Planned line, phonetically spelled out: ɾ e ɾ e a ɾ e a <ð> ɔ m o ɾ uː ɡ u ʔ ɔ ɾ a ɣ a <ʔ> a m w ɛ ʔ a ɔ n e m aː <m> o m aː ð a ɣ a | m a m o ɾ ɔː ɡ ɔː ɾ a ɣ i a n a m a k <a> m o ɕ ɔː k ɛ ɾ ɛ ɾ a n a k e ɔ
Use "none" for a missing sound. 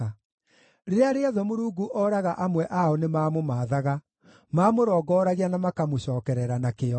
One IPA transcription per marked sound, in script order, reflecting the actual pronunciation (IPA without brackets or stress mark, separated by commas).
ð, ʔ, m, a